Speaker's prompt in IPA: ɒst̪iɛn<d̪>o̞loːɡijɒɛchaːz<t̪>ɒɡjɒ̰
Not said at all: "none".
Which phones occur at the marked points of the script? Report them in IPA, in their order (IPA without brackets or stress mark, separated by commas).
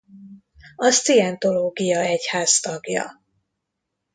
t̪, t̪